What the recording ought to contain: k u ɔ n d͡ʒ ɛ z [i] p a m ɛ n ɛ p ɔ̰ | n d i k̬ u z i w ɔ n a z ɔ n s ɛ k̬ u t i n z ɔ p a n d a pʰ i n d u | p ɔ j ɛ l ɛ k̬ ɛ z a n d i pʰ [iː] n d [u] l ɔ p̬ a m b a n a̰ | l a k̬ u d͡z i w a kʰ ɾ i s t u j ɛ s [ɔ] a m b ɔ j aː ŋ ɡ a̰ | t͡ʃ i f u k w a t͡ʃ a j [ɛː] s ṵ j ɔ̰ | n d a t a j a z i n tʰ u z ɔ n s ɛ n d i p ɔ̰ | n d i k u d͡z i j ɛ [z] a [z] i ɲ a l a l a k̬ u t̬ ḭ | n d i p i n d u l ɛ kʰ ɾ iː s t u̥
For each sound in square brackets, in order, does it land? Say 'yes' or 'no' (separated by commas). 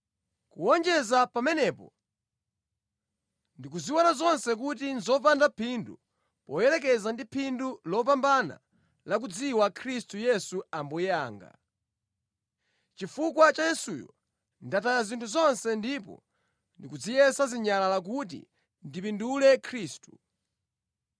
no, no, yes, no, no, no, yes